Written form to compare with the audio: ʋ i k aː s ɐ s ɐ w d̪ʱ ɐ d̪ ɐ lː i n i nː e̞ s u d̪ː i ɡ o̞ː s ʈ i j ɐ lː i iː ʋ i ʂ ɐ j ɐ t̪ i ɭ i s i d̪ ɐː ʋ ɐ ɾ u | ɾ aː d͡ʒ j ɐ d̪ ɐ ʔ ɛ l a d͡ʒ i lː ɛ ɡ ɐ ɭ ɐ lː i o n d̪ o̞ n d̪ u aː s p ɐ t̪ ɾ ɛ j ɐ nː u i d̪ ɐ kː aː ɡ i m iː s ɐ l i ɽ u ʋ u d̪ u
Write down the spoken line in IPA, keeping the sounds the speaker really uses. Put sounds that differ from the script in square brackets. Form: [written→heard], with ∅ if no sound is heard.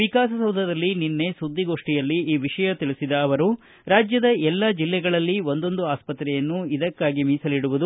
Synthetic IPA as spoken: ʋ i k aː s ɐ s ɐ w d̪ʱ ɐ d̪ ɐ lː i n i nː e̞ s u d̪ː i ɡ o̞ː [s→ʂ] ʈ i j ɐ lː i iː ʋ i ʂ ɐ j ɐ t̪ i ɭ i s i d̪ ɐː ʋ ɐ ɾ u | ɾ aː d͡ʒ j ɐ d̪ ɐ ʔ ɛ [l→lː] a d͡ʒ i lː ɛ ɡ ɐ ɭ ɐ lː i o n d̪ o̞ n d̪ u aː s p ɐ t̪ ɾ ɛ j ɐ nː u i d̪ ɐ kː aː ɡ i m iː s ɐ l i ɽ u ʋ u d̪ u